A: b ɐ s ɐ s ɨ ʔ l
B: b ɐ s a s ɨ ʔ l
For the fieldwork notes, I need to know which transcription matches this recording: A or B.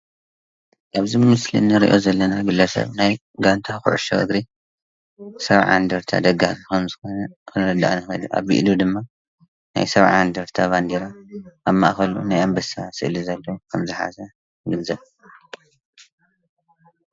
B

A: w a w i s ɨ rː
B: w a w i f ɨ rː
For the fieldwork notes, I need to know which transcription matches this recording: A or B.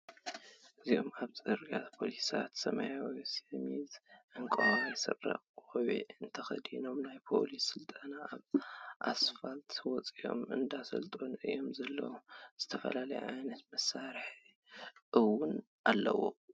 A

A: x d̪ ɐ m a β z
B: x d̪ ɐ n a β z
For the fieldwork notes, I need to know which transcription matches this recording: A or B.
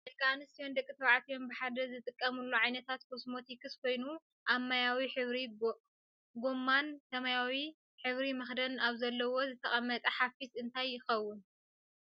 B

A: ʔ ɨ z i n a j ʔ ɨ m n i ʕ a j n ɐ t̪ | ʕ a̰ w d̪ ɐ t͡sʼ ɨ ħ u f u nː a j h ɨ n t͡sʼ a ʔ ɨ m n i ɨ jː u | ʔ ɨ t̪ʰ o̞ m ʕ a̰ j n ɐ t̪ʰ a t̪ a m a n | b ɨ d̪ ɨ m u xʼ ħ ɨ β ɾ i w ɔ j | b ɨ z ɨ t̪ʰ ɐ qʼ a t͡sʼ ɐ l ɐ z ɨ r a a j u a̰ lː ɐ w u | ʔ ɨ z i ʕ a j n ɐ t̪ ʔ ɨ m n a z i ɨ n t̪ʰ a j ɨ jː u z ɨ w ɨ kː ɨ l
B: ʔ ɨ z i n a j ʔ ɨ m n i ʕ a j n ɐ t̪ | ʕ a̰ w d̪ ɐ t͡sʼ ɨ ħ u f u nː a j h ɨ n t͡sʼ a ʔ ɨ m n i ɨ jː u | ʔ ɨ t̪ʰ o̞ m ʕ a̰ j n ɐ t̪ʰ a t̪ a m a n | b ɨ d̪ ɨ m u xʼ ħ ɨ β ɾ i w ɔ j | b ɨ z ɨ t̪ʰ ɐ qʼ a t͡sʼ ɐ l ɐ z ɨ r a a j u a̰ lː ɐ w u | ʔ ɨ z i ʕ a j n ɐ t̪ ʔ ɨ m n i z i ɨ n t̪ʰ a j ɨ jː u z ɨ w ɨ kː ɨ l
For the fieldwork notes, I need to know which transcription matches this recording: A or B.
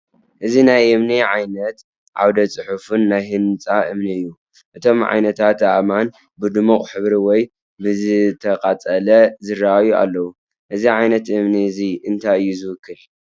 B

